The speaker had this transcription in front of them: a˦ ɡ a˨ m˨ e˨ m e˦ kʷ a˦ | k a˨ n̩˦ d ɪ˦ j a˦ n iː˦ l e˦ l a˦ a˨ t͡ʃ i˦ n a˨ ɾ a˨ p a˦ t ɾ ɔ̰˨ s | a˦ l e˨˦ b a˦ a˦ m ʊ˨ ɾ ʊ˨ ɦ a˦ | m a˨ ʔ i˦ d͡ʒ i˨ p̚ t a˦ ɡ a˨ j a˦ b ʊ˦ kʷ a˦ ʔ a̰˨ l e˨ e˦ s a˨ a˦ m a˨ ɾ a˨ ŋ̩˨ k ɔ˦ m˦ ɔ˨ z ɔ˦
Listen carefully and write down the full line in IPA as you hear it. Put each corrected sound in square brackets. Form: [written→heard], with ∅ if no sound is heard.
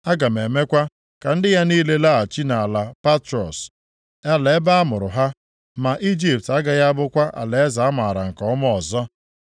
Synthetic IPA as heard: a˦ ɡ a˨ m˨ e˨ m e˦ kʷ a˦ | k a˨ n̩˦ d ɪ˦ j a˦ n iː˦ l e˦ l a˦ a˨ t͡ʃ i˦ n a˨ [ɾ→l] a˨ p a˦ t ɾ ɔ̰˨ s | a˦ l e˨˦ b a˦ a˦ m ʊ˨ ɾ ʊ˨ ɦ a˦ | m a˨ ʔ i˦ d͡ʒ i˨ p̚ t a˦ ɡ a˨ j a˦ b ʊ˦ kʷ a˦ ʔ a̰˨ l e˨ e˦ [s→z] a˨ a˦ m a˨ ɾ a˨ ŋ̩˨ k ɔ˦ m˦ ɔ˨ z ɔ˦